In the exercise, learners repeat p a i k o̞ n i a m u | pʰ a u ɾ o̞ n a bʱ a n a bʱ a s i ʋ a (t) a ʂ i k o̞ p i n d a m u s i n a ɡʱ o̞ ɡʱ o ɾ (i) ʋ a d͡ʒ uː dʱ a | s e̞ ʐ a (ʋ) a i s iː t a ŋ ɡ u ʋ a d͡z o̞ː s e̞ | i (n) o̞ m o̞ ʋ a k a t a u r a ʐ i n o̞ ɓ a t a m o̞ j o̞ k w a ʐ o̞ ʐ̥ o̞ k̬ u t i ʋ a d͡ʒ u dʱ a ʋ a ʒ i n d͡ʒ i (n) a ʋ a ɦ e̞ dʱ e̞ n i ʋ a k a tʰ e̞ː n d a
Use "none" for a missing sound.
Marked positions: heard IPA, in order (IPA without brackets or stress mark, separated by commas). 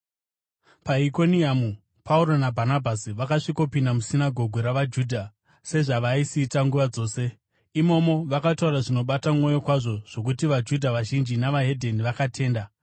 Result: k, a, ʋ, m, n